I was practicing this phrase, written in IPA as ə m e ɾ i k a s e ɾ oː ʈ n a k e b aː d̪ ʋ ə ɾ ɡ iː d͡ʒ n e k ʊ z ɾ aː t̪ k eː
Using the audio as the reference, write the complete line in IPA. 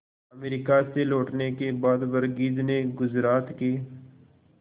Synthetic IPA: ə m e ɾ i k a s e l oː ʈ n e k e b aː d̪ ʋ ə ɾ ɡ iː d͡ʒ n e ɡ ʊ z ɾ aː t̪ k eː

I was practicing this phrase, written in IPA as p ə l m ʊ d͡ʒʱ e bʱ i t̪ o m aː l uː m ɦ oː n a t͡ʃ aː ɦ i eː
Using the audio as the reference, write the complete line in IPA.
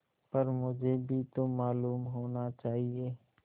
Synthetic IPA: p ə ɾ m ʊ d͡ʒʱ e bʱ i t̪ o m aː l uː m ɦ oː n a t͡ʃ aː ɦ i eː

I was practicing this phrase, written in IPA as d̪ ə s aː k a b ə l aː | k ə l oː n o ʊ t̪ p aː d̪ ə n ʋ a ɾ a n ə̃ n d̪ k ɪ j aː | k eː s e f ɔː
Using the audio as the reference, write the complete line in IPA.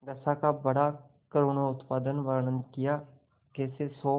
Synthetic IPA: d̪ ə s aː k a b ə ɽ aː | k ə ɾ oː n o ʊ t̪ p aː d̪ ə n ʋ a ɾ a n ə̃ n d̪ k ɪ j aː | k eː s e s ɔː

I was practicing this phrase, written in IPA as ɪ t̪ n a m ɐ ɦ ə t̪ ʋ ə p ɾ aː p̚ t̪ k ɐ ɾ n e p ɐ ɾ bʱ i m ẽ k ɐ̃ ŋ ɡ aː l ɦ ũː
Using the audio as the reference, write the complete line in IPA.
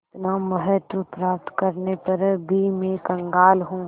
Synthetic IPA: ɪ t̪ n a m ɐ ɦ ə t̪ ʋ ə p ɾ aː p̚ t̪ k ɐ ɾ n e p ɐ ɾ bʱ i m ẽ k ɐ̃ ŋ ɡ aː l ɦ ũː

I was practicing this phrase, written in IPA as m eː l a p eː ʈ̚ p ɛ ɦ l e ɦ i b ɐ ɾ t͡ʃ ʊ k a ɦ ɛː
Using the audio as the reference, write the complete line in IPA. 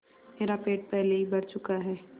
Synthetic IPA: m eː ɾ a p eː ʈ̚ p ɛ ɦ l e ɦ i b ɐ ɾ t͡ʃ ʊ k a ɦ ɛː

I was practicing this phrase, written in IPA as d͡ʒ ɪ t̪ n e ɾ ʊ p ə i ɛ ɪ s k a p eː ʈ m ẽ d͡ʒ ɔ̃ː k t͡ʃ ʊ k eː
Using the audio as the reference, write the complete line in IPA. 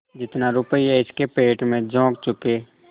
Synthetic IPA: d͡ʒ ɪ t̪ n a ɾ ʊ p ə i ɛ ɪ s k e p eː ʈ m ẽ d͡ʒ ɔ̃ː k t͡ʃ ʊ k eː

